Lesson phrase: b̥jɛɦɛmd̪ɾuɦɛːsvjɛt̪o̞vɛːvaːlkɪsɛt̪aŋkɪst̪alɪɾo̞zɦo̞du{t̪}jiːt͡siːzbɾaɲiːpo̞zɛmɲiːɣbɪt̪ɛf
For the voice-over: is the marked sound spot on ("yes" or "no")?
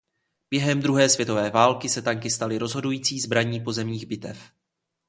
no